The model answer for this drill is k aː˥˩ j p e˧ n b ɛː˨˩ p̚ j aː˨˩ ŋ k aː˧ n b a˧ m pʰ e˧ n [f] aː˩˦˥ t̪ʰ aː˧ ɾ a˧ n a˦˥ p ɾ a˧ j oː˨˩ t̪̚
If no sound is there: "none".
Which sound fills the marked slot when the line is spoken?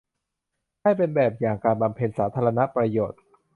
s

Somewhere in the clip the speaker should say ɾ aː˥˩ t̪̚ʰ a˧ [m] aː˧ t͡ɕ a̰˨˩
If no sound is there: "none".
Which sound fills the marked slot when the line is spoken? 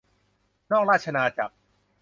n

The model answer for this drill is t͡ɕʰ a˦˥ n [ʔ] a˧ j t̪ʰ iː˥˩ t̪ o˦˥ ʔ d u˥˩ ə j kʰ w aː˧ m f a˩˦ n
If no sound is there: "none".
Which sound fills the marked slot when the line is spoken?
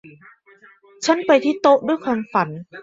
p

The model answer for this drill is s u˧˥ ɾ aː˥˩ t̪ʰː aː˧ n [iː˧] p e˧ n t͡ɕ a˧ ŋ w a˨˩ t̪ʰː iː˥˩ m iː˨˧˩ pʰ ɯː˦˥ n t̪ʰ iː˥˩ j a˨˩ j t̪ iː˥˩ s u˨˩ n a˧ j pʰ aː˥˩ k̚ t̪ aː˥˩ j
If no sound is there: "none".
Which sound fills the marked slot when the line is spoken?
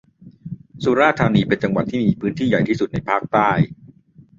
iː˧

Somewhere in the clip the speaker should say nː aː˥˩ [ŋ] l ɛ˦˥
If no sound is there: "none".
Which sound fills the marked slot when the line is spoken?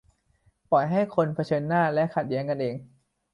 none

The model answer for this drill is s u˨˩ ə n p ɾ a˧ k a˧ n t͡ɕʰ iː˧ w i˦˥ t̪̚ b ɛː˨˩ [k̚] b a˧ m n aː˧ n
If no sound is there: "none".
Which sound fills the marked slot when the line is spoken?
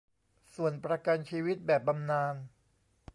p̚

